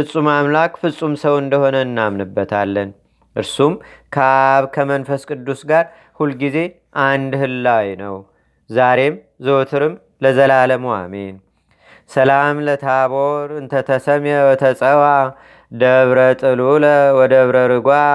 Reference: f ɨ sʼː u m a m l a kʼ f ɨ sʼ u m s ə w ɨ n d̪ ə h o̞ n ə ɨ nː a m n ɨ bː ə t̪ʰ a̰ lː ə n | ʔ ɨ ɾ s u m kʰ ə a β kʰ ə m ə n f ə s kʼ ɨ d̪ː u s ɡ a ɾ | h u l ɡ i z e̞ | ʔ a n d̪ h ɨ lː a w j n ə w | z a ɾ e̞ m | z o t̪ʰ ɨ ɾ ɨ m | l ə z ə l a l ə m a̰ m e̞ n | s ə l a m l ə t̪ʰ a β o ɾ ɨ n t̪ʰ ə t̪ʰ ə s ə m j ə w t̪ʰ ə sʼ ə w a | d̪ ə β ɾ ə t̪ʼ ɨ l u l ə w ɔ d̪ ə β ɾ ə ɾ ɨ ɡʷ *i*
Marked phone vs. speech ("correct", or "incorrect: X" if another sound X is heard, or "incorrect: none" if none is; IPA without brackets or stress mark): incorrect: a